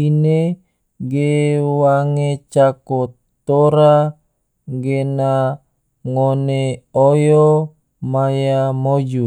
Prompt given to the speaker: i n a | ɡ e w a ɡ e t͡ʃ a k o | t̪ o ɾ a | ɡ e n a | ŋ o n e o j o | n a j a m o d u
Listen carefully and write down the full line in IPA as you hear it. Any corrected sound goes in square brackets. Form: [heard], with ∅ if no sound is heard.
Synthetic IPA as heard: i n [e] | ɡ e w a [ŋ] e t͡ʃ a k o | t̪ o ɾ a | ɡ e n a | ŋ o n e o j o | [m] a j a m o [d͡ʒ] u